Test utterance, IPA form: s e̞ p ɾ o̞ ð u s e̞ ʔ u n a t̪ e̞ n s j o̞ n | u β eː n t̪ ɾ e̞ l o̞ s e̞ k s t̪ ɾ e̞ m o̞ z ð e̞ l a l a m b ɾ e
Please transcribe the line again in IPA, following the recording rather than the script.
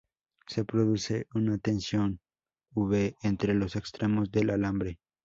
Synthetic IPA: s e̞ p ɾ o̞ ð u s e̞ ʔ u n a t̪ e̞ n s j o̞ n | u β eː n t̪ ɾ e̞ l o̞ s e̞ k s t̪ ɾ e̞ m o̞ z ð e̞ l a l a m b ɾ e